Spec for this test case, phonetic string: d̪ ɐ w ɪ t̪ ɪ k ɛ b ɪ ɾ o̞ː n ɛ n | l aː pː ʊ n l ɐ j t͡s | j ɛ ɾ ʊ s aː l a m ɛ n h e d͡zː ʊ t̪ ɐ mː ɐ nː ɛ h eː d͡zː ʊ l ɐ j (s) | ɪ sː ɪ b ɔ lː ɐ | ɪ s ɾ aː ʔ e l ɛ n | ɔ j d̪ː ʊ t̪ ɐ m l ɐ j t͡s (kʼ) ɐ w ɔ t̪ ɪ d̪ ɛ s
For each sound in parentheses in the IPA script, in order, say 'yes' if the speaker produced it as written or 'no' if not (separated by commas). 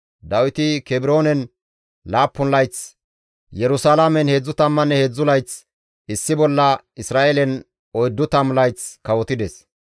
no, no